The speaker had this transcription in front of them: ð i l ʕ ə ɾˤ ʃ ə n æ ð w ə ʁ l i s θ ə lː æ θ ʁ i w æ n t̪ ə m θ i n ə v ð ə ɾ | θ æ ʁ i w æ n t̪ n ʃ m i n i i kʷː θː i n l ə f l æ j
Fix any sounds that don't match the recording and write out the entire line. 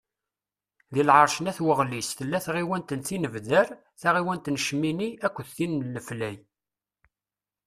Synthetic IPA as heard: ð i l ʕ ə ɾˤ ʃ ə n æ θ w ə ʁ l i s θ ə lː æ θ ʁ i w æ n t̪ ə n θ i n ə v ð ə ɾ | θ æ ʁ i w æ n t̪ n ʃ m i n i æ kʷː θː i n l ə f l æ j